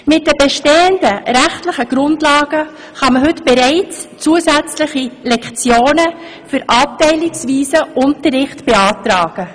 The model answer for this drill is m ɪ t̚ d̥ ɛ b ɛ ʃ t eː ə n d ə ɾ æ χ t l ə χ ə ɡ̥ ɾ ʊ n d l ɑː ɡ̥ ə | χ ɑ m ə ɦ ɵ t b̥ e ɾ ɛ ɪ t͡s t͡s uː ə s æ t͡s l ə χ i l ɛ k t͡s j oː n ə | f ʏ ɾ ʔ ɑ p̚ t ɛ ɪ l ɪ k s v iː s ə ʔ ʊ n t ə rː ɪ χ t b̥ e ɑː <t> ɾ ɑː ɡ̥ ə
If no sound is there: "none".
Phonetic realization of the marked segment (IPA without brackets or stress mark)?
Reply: t